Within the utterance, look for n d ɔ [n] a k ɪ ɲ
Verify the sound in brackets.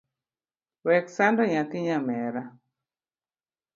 incorrect: ɲ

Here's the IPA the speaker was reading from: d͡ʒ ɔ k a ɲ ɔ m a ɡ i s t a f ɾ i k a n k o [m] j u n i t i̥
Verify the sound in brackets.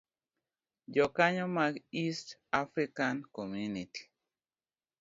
correct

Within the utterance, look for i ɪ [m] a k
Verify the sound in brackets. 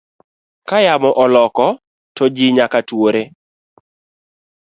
incorrect: ɲ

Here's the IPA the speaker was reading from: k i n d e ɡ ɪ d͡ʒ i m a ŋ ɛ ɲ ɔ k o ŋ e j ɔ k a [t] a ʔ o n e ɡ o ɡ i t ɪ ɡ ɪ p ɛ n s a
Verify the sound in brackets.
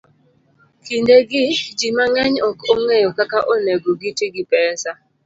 incorrect: k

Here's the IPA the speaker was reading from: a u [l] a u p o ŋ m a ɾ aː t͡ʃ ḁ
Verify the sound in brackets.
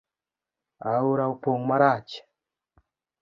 incorrect: ɾ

